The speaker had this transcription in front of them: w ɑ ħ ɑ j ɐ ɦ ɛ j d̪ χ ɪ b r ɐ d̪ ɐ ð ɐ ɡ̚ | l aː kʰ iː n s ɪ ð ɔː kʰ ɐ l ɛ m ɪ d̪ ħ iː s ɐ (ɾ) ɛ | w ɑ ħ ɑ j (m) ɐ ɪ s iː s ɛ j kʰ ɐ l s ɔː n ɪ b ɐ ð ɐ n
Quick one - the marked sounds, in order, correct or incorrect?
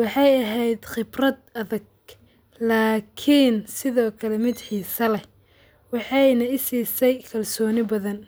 incorrect: l, incorrect: n

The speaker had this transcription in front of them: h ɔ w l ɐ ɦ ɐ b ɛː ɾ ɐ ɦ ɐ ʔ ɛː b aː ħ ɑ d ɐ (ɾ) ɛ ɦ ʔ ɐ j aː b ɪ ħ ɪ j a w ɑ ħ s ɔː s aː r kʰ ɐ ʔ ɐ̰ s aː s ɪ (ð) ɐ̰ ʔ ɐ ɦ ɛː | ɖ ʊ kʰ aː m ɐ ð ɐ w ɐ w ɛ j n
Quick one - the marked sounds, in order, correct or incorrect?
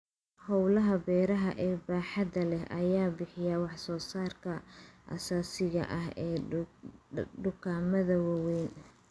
incorrect: l, incorrect: ɣ

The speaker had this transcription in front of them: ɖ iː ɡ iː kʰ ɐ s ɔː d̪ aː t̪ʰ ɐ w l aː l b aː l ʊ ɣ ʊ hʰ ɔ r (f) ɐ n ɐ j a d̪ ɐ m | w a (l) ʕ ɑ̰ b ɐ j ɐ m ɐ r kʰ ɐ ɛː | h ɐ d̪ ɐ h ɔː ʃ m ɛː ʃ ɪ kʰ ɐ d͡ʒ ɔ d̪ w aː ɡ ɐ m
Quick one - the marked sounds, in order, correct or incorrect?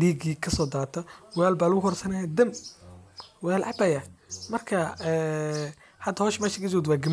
incorrect: s, correct

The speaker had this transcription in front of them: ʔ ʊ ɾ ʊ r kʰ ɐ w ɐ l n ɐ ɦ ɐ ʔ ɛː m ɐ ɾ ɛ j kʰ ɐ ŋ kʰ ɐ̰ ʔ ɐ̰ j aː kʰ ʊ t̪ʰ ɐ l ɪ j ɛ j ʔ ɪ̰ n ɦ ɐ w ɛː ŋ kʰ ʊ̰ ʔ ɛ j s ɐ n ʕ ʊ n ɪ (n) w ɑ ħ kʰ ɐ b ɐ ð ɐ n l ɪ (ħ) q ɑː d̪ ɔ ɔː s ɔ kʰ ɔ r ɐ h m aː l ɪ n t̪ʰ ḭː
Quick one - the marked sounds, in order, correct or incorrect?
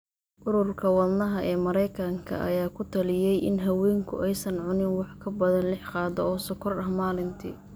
correct, correct

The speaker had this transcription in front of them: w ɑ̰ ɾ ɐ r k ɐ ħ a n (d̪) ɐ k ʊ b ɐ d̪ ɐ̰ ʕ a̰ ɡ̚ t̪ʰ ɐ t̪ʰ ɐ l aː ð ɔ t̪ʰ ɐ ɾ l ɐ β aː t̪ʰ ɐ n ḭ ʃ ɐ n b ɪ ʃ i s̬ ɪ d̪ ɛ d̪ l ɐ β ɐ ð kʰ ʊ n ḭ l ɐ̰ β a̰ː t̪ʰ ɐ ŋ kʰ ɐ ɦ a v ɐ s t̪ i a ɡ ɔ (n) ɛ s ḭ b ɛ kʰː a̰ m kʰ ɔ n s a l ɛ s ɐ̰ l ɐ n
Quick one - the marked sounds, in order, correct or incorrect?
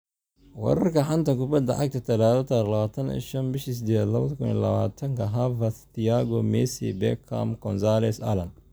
incorrect: t̪, incorrect: m

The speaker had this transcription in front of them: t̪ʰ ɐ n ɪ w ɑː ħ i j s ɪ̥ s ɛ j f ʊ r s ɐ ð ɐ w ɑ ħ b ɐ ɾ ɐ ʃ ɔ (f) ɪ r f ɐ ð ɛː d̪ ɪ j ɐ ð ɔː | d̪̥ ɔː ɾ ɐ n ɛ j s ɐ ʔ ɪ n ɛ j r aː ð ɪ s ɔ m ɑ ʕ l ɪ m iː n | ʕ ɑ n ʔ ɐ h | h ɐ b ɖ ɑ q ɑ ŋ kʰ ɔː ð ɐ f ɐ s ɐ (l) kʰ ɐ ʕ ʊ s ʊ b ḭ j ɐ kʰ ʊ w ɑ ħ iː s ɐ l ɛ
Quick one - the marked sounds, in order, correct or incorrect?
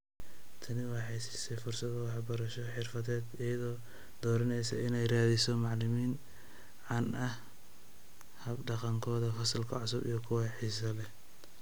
incorrect: ħ, correct

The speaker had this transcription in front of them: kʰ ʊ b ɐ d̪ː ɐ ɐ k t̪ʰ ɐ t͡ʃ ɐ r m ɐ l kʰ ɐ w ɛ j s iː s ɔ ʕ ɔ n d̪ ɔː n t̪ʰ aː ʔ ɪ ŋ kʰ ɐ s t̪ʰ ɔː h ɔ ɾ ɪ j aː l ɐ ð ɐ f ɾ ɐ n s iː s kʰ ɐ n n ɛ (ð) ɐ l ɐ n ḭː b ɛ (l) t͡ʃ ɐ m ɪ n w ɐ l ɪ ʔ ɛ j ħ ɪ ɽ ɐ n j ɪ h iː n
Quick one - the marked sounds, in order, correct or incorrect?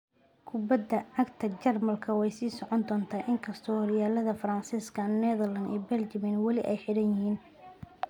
correct, correct

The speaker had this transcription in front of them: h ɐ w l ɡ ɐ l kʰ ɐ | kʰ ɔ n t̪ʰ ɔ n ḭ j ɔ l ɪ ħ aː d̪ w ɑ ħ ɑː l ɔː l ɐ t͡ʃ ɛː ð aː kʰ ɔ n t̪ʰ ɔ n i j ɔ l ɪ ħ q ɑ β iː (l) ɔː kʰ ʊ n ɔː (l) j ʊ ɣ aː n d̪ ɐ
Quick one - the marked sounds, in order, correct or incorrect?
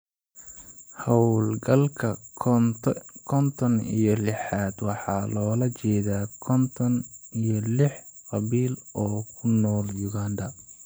correct, correct

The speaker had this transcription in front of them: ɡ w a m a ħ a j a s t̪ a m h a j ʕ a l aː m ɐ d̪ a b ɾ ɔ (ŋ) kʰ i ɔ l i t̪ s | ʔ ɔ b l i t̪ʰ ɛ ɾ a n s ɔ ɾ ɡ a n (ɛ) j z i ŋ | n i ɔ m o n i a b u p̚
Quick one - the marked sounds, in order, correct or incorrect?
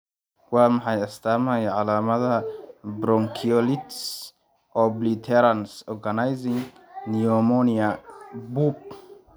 correct, incorrect: a

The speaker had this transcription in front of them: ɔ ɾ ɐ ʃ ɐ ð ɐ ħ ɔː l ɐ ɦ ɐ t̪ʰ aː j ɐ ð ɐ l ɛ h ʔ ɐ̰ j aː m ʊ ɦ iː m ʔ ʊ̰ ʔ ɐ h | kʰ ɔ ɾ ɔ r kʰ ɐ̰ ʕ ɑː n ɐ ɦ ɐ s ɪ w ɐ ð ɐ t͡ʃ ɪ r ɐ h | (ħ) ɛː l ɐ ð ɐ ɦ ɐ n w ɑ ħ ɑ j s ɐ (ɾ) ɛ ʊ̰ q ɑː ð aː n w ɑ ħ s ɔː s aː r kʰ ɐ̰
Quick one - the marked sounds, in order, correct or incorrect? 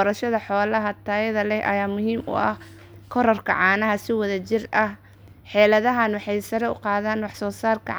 correct, correct

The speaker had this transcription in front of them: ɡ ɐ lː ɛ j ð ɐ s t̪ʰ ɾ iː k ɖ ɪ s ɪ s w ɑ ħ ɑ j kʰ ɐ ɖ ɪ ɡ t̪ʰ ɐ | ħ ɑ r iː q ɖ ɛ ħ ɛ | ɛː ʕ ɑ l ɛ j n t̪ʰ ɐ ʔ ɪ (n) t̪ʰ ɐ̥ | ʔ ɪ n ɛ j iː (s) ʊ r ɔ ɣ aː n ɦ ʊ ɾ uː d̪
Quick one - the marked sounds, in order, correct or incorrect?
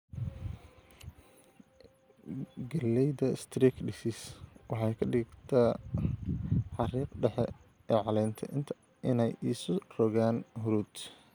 correct, correct

